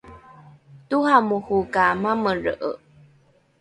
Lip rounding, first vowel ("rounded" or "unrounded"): rounded